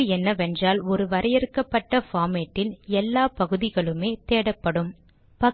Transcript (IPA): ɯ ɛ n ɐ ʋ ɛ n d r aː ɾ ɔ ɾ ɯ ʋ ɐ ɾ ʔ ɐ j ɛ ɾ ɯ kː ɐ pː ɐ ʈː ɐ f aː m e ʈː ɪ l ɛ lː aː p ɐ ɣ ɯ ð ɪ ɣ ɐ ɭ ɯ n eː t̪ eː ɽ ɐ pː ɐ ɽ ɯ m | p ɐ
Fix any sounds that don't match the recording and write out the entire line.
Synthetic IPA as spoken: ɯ ɛ nː ɐ ʋ ɛ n d r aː l ɔ ɾ ɯ ʋ ɐ ɾ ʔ ɐ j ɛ ɾ ɯ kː ɐ pː ɐ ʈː ɐ f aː m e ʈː ɪ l ɛ lː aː p ɐ ɣ ɯ ð ɪ ɣ ɐ ɭ ɯ m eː t̪ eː ɽ ɐ pː ɐ ɽ ɯ m | p ɐ